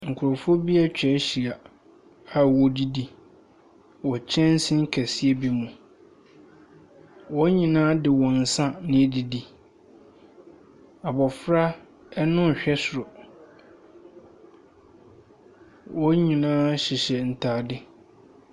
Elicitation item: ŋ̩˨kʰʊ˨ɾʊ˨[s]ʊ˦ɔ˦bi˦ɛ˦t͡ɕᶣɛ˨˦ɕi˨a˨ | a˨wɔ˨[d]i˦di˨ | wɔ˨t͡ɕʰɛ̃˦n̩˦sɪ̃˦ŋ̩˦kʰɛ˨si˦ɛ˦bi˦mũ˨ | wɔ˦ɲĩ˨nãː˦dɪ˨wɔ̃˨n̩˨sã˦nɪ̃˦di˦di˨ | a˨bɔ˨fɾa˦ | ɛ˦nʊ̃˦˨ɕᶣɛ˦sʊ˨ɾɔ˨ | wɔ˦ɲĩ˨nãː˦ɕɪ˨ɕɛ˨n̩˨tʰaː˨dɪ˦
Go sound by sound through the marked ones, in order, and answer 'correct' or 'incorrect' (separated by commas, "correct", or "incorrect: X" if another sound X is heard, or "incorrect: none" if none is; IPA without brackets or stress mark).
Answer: incorrect: f, correct